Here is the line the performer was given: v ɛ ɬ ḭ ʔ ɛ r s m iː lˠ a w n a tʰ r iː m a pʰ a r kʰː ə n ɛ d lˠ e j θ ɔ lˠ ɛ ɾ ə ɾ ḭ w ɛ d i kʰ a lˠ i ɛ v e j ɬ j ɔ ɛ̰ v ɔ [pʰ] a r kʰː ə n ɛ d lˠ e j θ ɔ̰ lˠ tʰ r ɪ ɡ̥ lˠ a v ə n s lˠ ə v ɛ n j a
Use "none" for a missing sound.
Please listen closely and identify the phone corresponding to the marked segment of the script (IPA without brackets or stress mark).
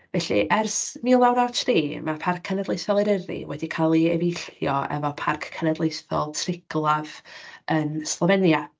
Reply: pʰ